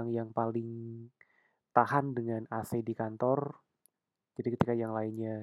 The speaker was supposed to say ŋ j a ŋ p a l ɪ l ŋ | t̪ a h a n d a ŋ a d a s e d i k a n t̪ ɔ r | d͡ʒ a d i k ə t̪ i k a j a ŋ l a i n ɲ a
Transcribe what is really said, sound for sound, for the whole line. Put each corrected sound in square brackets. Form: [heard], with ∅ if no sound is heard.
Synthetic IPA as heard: ŋ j a ŋ p a l ɪ [∅] ŋ | t̪ a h a n d [ə] ŋ a [n] a s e d i k a n t̪ ɔ r | d͡ʒ a d i k ə t̪ i k a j a ŋ l a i n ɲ a